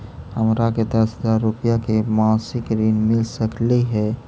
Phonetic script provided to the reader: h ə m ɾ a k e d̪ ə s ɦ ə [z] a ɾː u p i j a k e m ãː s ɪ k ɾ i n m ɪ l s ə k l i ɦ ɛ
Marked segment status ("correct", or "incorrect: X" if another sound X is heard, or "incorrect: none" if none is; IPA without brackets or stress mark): correct